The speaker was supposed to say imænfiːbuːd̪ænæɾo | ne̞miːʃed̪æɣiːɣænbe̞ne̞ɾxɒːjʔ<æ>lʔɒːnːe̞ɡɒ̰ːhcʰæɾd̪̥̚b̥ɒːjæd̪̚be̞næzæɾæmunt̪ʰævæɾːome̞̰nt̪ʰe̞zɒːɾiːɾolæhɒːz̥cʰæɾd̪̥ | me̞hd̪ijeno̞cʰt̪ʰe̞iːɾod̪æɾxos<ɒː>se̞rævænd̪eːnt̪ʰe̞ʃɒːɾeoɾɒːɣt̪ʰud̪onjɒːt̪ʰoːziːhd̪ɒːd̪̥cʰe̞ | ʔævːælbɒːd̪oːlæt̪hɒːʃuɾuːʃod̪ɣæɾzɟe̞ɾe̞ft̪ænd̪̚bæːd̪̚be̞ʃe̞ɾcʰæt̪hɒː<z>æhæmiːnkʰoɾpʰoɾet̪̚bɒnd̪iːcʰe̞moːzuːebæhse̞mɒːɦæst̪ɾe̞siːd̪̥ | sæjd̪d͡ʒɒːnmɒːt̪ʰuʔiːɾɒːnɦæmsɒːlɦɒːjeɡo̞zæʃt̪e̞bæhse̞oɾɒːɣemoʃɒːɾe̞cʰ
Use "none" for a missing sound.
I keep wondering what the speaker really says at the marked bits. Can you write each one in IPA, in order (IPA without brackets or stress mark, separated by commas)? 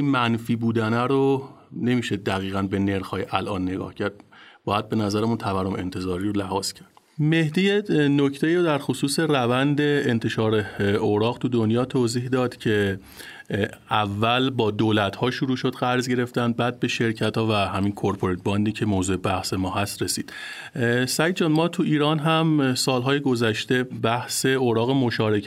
æ, uː, v